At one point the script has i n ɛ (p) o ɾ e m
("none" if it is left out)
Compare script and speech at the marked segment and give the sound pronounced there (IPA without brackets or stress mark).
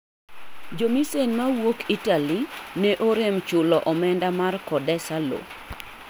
ʔ